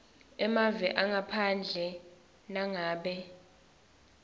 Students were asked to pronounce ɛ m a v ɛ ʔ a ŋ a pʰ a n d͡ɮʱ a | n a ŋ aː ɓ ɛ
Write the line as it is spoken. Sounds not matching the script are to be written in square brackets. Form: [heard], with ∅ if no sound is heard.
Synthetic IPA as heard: ɛ m a v ɛ ʔ a ŋ a pʰ a n d͡ɮʱ [ɛ] | n a ŋ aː ɓ ɛ